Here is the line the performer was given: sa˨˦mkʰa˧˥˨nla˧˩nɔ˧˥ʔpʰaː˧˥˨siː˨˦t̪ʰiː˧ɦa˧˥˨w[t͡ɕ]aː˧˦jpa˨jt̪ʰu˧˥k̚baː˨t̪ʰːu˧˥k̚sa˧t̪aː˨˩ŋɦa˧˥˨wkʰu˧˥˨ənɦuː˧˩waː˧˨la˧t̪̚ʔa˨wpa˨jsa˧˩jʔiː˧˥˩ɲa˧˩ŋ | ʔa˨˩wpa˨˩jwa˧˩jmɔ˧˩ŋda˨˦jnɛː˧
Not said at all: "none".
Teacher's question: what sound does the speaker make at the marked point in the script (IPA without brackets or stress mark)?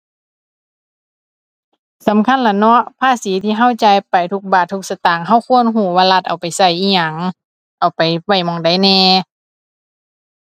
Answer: t͡ɕ